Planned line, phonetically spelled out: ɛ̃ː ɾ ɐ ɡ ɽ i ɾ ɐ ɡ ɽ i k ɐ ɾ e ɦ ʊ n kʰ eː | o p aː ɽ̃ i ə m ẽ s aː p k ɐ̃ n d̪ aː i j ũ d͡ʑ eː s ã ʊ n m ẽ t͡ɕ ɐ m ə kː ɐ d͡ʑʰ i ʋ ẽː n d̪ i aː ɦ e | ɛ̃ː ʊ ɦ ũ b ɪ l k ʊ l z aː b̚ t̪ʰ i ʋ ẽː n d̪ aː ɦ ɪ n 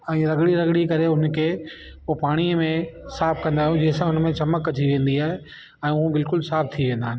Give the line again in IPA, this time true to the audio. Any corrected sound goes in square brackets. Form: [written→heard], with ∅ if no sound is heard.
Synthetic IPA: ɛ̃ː ɾ ɐ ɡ ɽ i ɾ ɐ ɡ ɽ i k ɐ ɾ e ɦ ʊ n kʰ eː | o p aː ɽ̃ i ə m ẽ s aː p k ɐ̃ n d̪ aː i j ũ d͡ʑ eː s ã ʊ n m ẽ t͡ɕ ɐ m ə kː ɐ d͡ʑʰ i ʋ ẽː n d̪ i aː ɦ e | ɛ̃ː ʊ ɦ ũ b ɪ l k ʊ l [z→s] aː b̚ t̪ʰ i ʋ ẽː n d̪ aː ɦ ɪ n